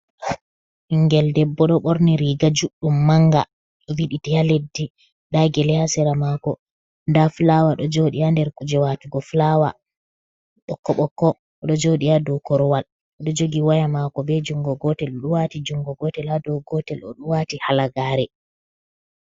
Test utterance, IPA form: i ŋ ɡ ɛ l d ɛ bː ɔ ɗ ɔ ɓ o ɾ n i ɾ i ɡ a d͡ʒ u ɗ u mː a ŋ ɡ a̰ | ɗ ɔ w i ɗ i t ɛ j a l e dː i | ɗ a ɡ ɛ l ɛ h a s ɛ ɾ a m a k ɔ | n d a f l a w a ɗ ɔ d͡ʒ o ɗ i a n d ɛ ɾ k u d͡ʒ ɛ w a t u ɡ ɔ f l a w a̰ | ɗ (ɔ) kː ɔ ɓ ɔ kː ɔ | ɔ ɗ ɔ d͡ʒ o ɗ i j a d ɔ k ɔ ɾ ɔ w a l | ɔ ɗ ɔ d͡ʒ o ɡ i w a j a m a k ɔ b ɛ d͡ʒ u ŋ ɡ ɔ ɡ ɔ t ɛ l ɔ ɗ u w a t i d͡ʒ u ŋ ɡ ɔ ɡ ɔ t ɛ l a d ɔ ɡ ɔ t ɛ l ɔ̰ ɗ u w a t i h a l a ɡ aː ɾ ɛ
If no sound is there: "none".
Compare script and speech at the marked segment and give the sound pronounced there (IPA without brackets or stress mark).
ɔ